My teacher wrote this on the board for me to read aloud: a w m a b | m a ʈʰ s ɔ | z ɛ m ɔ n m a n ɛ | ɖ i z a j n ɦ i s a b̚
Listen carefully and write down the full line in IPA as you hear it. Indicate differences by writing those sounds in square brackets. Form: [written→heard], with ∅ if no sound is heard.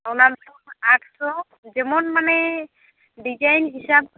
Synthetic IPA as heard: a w [m→n] a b | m a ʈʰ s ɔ | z ɛ m ɔ n m a n ɛ | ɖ i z a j n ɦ i s a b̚